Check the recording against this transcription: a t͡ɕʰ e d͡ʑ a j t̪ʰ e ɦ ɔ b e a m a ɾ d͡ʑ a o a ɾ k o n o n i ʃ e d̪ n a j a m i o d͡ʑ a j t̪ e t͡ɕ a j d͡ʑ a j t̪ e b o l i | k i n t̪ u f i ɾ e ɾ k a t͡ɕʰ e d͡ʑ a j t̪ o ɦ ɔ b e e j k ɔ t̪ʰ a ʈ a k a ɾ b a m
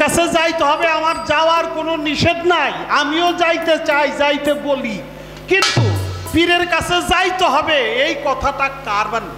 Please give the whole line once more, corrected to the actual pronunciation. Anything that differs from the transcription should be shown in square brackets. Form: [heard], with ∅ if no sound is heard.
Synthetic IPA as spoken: a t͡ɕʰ e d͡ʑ a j [t̪] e ɦ ɔ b e a m a ɾ d͡ʑ a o a ɾ k o n o n i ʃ e d̪ n a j a m i o d͡ʑ a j t̪ e t͡ɕ a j d͡ʑ a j t̪ e b o l i | k i n t̪ u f i ɾ e ɾ k a t͡ɕʰ e d͡ʑ a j t̪ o ɦ ɔ b e e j k ɔ t̪ʰ a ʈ a k a ɾ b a [n]

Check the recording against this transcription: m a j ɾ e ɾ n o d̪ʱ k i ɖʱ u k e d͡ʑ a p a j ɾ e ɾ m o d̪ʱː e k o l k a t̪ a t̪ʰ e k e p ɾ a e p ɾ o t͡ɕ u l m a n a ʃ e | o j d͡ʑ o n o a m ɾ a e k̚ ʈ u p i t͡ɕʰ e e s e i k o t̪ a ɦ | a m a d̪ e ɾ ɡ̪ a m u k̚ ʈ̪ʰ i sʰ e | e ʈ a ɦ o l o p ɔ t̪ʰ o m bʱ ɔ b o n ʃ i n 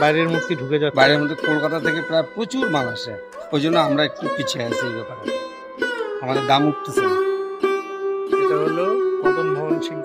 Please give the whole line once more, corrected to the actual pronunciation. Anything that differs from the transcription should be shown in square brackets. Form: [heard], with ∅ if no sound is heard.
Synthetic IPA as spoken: [b] a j ɾ e ɾ [m] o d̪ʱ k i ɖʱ u k e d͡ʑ a [b] a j ɾ e ɾ m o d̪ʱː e k o l k a t̪ a t̪ʰ e k e p ɾ a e p ɾ o t͡ɕ u [ɾ] m a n a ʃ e | o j d͡ʑ o [nː] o a m ɾ a e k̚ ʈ u p i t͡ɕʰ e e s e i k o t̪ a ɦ | a m a d̪ e ɾ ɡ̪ a m u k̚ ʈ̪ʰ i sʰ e | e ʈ a ɦ o l o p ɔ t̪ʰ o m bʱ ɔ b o n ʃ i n

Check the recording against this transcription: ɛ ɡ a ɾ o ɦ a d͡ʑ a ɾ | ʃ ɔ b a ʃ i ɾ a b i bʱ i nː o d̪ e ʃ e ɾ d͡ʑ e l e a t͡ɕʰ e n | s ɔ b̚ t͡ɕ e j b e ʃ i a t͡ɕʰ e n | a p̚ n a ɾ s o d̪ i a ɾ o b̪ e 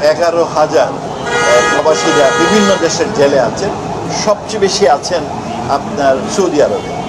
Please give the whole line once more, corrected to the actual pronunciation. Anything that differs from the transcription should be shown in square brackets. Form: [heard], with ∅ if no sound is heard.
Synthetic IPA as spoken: ɛ ɡ a ɾ o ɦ a d͡ʑ a ɾ | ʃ ɔ b a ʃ i ɾ a b i bʱ i nː o d̪ e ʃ e ɾ d͡ʑ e l e a t͡ɕʰ e n | [ʃ] ɔ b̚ t͡ɕ e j b e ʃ i a t͡ɕʰ e n | a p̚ n a ɾ s o d̪ i a ɾ o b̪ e

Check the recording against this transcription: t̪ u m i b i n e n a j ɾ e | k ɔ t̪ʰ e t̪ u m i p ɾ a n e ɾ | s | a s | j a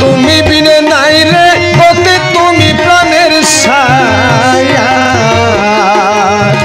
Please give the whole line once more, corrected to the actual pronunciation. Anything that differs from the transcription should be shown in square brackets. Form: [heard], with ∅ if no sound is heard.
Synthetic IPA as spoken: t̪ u m i b i n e n a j ɾ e | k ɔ [t̪] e t̪ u m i p ɾ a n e ɾ | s | a [∅] | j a

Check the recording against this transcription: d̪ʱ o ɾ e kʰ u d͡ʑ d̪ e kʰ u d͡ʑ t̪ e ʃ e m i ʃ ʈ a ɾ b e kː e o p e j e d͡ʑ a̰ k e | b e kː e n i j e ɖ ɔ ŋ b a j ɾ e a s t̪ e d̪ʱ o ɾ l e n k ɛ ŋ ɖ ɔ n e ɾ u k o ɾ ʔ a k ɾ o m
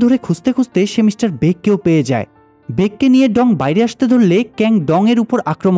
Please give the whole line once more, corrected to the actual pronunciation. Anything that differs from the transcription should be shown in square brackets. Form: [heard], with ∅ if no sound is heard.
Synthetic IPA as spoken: d̪ʱ o ɾ e kʰ u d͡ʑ [t̪] e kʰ u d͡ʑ t̪ e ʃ e m i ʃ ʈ a ɾ b e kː e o p e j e d͡ʑ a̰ [∅] e | b e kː e n i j e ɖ ɔ ŋ b a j ɾ e a [ʃ] t̪ e d̪ʱ o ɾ l e [∅] k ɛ ŋ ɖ ɔ [ŋ] e ɾ u [p] o ɾ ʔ a k ɾ o m

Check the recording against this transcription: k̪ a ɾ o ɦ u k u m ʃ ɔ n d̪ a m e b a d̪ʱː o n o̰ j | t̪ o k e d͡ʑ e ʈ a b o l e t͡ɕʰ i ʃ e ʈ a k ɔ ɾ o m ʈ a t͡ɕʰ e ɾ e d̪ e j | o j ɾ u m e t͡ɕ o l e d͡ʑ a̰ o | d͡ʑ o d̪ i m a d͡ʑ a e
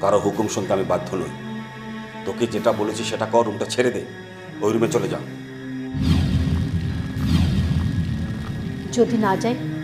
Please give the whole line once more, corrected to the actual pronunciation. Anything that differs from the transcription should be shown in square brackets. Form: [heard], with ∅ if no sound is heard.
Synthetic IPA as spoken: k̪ a ɾ o ɦ u k u m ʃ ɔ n [t̪] a m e b a d̪ʱː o n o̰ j | t̪ o k e d͡ʑ e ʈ a b o l e t͡ɕʰ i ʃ e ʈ a k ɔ ɾ [u] m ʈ a t͡ɕʰ e ɾ e d̪ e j | o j ɾ u m e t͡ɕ o l e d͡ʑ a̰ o | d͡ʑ o d̪ i [n] a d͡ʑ a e

